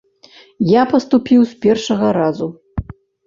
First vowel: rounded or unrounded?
unrounded